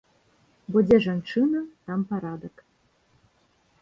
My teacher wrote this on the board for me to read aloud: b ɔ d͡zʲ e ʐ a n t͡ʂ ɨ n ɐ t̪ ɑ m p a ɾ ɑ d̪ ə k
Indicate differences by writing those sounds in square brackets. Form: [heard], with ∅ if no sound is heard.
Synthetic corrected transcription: b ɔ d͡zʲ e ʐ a n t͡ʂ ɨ n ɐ t̪ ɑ m p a ɾ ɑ d̪ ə k